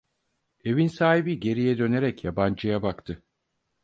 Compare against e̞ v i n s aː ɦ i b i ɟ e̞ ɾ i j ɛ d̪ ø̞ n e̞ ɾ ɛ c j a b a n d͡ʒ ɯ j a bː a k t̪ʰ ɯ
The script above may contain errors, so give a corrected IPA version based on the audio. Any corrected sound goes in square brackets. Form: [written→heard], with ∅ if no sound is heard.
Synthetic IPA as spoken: e̞ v i n s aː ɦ i b i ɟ e̞ ɾ i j ɛ d̪ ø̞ n e̞ ɾ ɛ c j a b a n d͡ʒ ɯ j a [bː→b] a k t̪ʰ ɯ